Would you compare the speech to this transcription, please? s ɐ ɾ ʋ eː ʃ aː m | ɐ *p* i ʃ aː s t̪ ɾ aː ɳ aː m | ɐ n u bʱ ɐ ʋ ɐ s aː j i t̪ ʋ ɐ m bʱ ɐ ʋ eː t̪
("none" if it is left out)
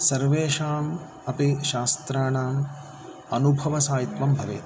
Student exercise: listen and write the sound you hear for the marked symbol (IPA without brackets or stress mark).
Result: p